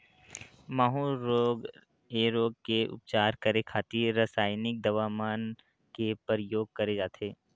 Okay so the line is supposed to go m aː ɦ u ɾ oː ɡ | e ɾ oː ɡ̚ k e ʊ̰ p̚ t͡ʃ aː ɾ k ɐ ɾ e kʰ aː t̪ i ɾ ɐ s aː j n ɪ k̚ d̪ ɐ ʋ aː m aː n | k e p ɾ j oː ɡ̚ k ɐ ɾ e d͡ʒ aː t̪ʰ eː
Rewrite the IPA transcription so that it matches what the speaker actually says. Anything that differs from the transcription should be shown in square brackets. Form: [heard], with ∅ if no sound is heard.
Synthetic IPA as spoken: m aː ɦ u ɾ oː ɡ | e ɾ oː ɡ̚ k e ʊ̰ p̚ t͡ʃ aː ɾ k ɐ ɾ e kʰ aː t̪ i ɾ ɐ s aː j n ɪ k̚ d̪ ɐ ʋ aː m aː n | k e p ɾ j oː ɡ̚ k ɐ ɾ e d͡ʒ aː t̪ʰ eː